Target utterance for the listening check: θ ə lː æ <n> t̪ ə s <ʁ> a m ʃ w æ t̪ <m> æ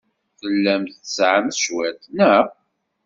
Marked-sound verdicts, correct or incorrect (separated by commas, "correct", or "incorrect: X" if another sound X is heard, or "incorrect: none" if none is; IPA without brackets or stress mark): incorrect: m, incorrect: ʕ, incorrect: n